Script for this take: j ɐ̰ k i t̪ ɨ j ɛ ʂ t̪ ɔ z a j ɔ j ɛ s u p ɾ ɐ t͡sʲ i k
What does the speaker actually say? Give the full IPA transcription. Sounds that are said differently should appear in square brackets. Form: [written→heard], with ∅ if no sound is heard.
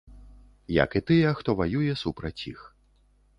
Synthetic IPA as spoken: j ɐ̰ k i t̪ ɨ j ɛ [ʂ→x] t̪ ɔ [z→v] a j [ɔ→u] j ɛ s u p ɾ ɐ t͡sʲ i [k→x]